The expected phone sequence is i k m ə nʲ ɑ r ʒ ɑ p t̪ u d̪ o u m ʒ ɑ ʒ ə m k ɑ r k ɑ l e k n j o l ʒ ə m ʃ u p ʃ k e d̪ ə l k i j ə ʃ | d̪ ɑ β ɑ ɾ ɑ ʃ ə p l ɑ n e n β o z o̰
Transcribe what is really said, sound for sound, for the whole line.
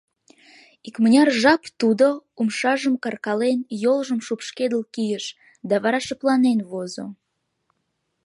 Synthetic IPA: i k m ə nʲ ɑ r ʒ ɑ p t̪ u d̪ o u m ʃ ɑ ʒ ə m k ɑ r k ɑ l e n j o l ʒ ə m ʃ u p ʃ k e d̪ ə l k i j ə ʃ | d̪ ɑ β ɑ ɾ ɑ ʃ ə p l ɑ n e n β o z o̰